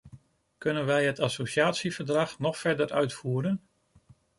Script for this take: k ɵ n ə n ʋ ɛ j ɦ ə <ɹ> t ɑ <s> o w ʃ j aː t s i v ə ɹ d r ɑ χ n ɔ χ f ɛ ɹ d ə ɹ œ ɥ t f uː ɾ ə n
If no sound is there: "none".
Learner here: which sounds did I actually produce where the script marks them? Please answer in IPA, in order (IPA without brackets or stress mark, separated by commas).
none, s